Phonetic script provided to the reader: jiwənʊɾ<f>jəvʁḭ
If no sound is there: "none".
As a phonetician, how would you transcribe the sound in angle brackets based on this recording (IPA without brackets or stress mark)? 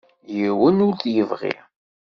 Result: θ